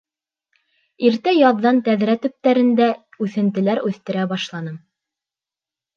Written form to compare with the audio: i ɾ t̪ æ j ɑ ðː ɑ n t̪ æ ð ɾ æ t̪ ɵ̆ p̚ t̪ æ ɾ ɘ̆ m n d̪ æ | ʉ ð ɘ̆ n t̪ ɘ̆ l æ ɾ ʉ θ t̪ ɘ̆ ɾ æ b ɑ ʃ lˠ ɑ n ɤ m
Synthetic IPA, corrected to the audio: i ɾ t̪ æ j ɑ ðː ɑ n t̪ æ ð ɾ æ t̪ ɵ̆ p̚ t̪ æ ɾ ɘ̆ n d̪ æ | ʉ θ ɘ̆ n t̪ ɘ̆ l æ ɾ ʉ θ t̪ ɘ̆ ɾ æ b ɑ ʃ lˠ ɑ n ɤ m